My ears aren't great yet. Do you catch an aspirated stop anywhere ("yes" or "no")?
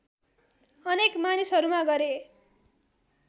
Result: no